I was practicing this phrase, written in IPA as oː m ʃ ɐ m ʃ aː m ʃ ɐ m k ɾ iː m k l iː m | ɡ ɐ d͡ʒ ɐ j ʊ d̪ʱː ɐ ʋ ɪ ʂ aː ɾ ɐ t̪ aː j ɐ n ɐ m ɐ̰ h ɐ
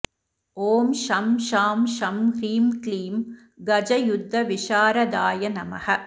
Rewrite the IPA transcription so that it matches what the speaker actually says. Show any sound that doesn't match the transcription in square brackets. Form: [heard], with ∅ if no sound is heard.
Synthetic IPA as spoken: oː m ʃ ɐ m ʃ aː m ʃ ɐ m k ɾ iː m k l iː m | ɡ ɐ d͡ʒ ɐ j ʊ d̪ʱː ɐ ʋ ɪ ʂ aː ɾ ɐ [d̪] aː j ɐ n ɐ m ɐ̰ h ɐ

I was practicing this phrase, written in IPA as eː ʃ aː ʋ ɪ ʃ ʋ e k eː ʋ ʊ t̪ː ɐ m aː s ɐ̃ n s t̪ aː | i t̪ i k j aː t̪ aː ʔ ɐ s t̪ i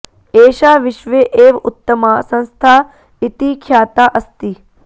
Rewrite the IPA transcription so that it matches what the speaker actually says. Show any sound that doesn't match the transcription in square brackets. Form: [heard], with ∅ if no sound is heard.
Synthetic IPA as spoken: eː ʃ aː ʋ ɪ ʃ ʋ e [ʔ] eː ʋ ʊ t̪ː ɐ m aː s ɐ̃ n s [t̪ʰ] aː | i t̪ i [kʰ] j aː t̪ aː ʔ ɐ s t̪ i

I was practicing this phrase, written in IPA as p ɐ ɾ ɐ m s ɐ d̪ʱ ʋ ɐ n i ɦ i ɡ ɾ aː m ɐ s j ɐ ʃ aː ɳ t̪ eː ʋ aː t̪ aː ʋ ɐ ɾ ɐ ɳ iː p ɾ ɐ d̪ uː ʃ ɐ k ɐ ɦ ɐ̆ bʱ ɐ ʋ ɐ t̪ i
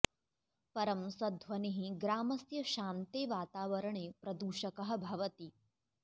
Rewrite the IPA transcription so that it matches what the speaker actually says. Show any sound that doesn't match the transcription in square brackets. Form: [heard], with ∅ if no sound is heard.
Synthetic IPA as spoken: p ɐ ɾ ɐ m s ɐ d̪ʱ ʋ ɐ n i ɦ i ɡ ɾ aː m ɐ s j ɐ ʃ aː [n] t̪ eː ʋ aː t̪ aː ʋ ɐ ɾ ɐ ɳ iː p ɾ ɐ d̪ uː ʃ ɐ k ɐ ɦ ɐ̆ bʱ ɐ ʋ ɐ t̪ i

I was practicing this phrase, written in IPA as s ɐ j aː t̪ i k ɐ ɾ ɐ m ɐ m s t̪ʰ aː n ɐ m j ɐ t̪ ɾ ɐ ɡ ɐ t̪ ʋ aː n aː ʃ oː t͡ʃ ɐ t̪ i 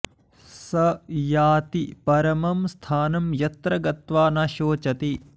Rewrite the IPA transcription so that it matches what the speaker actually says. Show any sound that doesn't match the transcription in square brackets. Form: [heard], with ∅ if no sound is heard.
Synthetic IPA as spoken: s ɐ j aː t̪ i [p] ɐ ɾ ɐ m ɐ m s t̪ʰ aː n ɐ m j ɐ t̪ ɾ ɐ ɡ ɐ t̪ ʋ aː n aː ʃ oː t͡ʃ ɐ t̪ i

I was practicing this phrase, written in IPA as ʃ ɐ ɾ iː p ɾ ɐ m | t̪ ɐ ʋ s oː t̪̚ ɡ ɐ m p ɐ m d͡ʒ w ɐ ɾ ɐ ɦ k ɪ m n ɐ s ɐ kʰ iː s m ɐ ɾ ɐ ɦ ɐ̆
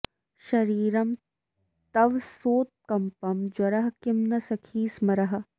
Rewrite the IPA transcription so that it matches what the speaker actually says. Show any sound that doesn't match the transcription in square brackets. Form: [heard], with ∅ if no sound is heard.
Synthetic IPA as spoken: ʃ ɐ ɾ iː [∅] ɾ ɐ m | t̪ ɐ ʋ s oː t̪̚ [k] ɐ m p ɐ m d͡ʒ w ɐ ɾ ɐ ɦ k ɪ m n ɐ s ɐ kʰ iː s m ɐ ɾ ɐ ɦ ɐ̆

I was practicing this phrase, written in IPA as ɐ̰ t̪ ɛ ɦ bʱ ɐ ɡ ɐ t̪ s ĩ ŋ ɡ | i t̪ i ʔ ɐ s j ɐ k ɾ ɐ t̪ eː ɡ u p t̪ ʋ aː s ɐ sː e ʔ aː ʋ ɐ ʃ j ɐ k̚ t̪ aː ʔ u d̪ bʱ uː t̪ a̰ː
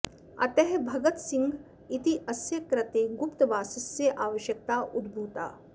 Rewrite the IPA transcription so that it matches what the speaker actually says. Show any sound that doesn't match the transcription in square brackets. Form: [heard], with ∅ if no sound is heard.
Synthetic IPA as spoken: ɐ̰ t̪ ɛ ɦ bʱ ɐ ɡ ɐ t̪ s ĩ ŋ ɡ | i t̪ i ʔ ɐ s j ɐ k ɾ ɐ t̪ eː ɡ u p t̪ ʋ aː s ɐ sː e ʔ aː ʋ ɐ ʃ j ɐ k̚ t̪ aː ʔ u d̪ bʱ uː t̪ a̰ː

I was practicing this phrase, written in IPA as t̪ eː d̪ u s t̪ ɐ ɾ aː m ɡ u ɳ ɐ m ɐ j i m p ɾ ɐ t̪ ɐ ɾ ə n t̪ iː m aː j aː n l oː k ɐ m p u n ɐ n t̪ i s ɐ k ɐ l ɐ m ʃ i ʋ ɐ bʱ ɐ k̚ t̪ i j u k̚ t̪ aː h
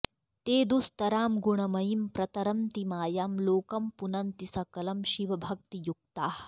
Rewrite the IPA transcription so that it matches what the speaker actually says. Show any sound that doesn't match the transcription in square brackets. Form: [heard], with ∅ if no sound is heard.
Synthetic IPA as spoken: t̪ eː d̪ u s t̪ ɐ ɾ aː m ɡ u ɳ ɐ m ɐ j i m p ɾ ɐ t̪ ɐ ɾ [ɐ] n t̪ [i] m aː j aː [m] l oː k ɐ m p u n ɐ n t̪ i s ɐ k ɐ l ɐ m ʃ i ʋ ɐ bʱ ɐ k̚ t̪ i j u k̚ t̪ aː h

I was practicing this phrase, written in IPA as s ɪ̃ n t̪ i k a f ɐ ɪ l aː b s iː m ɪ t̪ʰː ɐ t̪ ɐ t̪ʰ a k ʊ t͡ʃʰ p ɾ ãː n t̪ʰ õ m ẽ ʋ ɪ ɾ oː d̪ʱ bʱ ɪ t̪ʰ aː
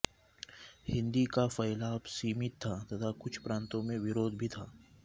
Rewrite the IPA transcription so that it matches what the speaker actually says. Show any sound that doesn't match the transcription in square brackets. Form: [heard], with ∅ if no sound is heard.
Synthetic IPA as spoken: [h] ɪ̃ n [d̪] i k a f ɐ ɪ l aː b s iː m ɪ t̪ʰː [a] t̪ ɐ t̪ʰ a k ʊ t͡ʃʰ p ɾ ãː n [t̪] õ m ẽ ʋ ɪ ɾ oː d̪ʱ bʱ [i] t̪ʰ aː

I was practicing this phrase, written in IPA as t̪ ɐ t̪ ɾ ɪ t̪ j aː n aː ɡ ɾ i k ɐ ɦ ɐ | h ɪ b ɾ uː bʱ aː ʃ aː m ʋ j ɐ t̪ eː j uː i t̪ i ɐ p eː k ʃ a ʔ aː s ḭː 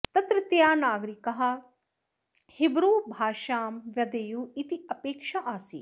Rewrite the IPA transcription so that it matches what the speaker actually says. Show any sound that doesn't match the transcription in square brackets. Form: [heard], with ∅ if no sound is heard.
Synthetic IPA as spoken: t̪ ɐ t̪ ɾ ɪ t̪ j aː n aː ɡ ɾ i k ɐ ɦ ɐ | h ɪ b ɾ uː bʱ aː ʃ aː m ʋ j ɐ [d̪] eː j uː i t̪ i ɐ p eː k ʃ a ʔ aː s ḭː

